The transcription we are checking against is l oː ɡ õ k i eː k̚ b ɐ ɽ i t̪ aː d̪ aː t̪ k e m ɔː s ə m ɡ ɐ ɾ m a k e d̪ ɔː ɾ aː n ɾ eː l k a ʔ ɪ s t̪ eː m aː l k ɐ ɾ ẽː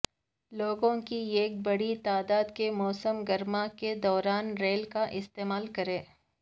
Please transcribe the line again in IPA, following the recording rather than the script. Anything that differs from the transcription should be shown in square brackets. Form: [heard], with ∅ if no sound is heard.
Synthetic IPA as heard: l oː ɡ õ k i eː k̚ b ɐ ɽ i t̪ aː d̪ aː [d̪] k e m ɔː s ə m ɡ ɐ ɾ m a k e d̪ ɔː ɾ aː n ɾ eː l k a ʔ ɪ s t̪ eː m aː l k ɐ ɾ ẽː